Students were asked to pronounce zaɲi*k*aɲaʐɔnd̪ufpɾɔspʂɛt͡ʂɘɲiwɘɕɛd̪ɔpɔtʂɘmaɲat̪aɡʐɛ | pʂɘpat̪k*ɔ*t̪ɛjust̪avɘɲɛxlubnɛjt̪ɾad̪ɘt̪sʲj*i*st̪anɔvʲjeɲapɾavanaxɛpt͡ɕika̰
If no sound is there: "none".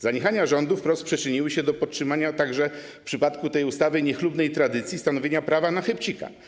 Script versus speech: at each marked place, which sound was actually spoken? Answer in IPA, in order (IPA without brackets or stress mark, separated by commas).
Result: x, u, i